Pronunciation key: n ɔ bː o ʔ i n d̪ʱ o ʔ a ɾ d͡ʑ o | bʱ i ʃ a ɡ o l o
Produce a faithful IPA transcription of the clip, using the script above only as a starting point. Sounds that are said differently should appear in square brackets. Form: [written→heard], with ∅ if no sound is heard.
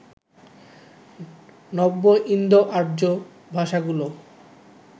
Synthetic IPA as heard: n ɔ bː o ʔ i n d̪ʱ o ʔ a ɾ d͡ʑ o | bʱ [i→a] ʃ a ɡ [o→u] l o